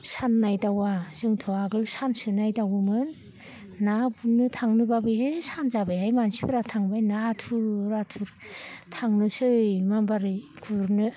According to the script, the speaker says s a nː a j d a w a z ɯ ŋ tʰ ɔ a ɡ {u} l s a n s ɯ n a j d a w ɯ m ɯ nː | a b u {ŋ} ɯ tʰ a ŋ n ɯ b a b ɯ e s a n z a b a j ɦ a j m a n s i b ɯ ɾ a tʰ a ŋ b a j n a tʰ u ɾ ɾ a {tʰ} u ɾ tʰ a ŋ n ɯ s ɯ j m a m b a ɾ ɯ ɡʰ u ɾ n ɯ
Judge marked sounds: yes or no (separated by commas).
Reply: no, no, yes